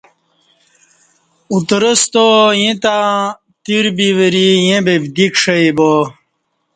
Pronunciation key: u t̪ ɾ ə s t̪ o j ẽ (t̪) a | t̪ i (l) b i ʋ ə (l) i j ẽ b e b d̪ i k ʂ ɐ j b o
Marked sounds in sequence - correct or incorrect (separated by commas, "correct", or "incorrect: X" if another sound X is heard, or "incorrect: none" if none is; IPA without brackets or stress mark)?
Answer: correct, incorrect: ɾ, incorrect: ɾ